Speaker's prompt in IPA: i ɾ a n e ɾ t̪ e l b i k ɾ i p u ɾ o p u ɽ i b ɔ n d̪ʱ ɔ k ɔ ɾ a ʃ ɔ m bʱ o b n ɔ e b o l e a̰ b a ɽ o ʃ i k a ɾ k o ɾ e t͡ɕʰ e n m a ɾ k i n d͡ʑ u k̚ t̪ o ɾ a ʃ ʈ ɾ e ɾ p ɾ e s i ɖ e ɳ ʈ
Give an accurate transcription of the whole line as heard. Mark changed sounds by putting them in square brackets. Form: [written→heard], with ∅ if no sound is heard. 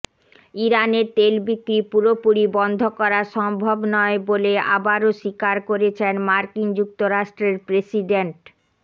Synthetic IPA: i ɾ a n e ɾ t̪ e l b i k ɾ i p u ɾ o p u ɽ i b ɔ n d̪ʱ [ɔ→o] k ɔ ɾ a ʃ ɔ m bʱ o b n ɔ e b o l e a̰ b a [ɽ→ɾ] o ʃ i k a ɾ k o ɾ e t͡ɕʰ e n m a ɾ k i n d͡ʑ u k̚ t̪ o ɾ a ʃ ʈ ɾ e ɾ p ɾ e s i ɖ e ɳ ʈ

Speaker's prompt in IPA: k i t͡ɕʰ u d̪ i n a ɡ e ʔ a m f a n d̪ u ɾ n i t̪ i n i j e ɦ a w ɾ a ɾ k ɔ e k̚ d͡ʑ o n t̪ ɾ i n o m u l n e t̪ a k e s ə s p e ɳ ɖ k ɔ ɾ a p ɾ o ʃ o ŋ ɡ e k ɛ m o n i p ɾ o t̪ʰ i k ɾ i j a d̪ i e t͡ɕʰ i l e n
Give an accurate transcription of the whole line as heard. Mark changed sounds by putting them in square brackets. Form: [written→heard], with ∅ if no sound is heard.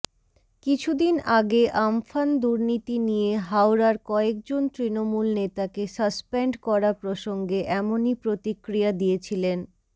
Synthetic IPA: k i t͡ɕʰ u d̪ i n a ɡ e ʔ a m f a n d̪ u ɾ n i t̪ i n i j e ɦ a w ɾ a ɾ k ɔ e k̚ d͡ʑ o n t̪ ɾ i n o m u l n e t̪ a k e s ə s p e ɳ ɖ k ɔ ɾ a p ɾ o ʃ o ŋ ɡ e [k→ʔ] ɛ m o n i p ɾ o [t̪ʰ→t̪] i k ɾ i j a d̪ i e t͡ɕʰ i l e n

